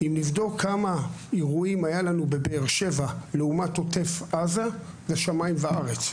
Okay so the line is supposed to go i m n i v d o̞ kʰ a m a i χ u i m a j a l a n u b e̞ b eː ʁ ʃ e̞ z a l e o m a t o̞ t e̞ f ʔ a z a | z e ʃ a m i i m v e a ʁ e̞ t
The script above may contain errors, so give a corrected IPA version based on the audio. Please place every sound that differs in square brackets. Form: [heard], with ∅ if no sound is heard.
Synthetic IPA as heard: i m n i v d o̞ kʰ a m a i [ʁ] u i m a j a l a n u b e̞ b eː ʁ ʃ e̞ [v] a l e [u] m a t o̞ t e̞ f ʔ a z a | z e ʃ a m [a] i m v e a ʁ e̞ [t͡s]